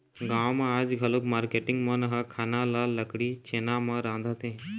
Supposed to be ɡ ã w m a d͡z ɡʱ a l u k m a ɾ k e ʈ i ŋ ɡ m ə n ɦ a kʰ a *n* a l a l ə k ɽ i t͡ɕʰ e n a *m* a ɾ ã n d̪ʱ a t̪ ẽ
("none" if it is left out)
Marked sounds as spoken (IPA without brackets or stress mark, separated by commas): n, m